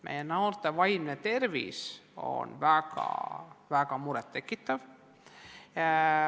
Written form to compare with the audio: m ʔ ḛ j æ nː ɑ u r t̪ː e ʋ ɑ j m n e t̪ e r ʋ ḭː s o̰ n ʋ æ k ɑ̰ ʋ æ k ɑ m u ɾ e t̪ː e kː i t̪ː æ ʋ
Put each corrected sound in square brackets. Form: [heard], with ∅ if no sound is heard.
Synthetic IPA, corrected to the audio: m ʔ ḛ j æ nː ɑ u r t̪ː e ʋ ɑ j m n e t̪ e r ʋ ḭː s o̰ n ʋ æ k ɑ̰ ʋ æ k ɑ m u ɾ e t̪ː e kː i t̪ː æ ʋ